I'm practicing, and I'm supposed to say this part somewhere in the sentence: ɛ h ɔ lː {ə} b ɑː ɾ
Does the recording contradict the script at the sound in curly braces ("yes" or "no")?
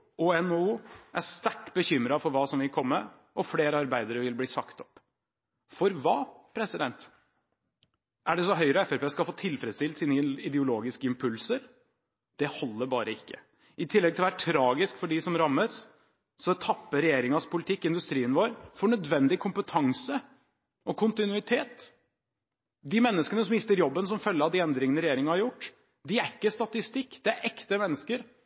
no